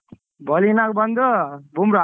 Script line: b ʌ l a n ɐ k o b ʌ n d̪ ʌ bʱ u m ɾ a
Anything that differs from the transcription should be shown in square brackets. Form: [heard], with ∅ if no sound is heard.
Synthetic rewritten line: b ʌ l [i] n [a] k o b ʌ n d̪ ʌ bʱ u m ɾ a